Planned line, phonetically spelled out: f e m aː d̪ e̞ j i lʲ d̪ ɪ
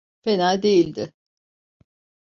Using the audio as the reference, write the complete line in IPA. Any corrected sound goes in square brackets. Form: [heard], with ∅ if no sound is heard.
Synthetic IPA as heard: f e [n] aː d̪ e̞ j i lʲ d̪ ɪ